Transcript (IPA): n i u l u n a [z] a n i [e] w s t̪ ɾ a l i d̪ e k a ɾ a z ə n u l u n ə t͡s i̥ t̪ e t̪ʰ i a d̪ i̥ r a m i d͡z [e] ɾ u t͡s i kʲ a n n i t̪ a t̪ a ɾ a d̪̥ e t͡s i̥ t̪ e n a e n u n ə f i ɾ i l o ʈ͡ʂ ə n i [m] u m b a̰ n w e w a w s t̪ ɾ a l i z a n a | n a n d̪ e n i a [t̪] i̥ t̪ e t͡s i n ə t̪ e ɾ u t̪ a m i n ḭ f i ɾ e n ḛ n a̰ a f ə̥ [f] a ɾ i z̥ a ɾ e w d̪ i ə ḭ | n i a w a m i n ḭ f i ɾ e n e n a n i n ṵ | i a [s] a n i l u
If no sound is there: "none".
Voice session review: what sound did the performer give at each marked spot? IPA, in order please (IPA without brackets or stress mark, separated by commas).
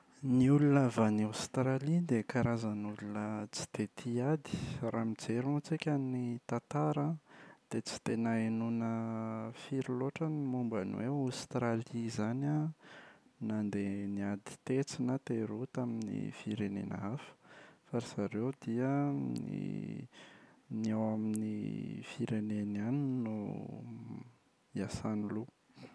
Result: v, a, e, m, d̪, f, s